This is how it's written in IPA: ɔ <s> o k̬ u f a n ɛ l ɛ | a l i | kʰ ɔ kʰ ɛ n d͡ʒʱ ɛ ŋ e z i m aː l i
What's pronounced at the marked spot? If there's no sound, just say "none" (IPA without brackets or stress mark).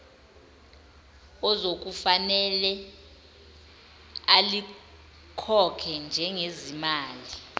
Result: z